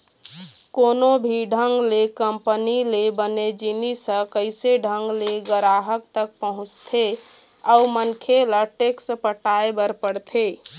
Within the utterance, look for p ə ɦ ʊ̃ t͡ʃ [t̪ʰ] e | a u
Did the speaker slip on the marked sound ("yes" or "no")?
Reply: no